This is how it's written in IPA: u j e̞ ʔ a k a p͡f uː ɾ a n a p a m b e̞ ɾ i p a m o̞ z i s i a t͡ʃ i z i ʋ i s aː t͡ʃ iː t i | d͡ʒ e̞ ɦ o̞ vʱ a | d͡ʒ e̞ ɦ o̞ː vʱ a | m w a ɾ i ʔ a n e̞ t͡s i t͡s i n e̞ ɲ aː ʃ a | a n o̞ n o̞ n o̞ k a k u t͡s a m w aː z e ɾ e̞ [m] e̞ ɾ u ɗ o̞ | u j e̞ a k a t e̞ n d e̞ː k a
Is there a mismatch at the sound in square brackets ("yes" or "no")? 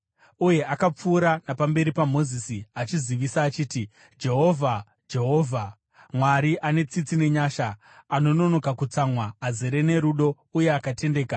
yes